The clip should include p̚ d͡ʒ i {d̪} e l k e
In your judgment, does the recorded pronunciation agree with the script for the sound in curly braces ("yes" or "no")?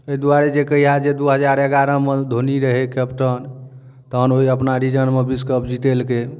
no